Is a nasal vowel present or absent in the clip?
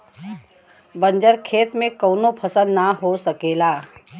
present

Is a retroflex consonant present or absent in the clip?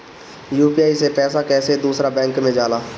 absent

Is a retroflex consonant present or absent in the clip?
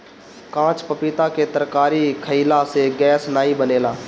absent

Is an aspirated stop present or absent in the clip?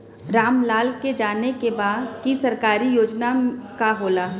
absent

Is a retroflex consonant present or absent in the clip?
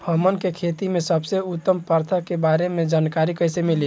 absent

